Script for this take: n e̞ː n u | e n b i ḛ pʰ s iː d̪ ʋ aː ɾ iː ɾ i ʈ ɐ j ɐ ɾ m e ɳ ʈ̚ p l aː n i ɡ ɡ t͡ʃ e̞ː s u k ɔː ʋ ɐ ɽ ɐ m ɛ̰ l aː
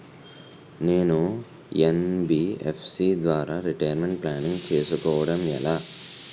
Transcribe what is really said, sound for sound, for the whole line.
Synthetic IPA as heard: n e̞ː n u | e n b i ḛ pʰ s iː d̪ ʋ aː ɾ aː ɾ i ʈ ɐ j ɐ ɾ m e ɳ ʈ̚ p l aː n i ŋ ɡ t͡ʃ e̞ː s u k ɔː ʋ ɐ ɽ ɐ m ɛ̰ l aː